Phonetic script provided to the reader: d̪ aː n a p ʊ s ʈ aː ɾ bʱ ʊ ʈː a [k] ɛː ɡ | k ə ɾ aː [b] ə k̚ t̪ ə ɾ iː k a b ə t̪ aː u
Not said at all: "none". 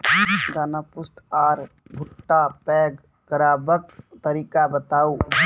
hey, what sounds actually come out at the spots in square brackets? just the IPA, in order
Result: p, b

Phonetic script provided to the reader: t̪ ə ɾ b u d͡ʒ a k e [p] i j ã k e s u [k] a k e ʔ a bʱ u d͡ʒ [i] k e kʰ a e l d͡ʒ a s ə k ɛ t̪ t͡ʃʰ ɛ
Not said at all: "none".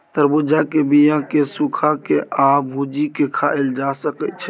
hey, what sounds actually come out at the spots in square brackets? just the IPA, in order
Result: b, kʰ, i

